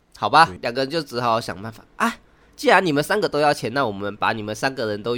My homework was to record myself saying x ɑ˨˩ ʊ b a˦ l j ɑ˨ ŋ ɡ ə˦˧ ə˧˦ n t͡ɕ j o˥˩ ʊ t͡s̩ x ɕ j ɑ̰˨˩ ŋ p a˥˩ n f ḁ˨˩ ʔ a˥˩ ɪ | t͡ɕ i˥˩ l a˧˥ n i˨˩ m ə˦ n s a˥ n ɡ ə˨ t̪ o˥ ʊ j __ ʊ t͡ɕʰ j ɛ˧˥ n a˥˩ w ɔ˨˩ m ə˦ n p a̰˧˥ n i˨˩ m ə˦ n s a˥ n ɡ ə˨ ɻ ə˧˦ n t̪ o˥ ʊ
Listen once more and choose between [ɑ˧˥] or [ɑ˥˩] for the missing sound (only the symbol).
ɑ˥˩